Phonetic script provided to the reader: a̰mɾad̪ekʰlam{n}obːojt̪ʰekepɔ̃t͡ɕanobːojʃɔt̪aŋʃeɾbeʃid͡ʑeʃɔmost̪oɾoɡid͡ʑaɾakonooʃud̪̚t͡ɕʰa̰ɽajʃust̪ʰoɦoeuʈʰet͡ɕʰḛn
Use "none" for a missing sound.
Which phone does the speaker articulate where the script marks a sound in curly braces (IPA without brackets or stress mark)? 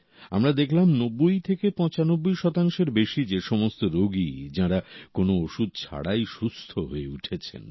n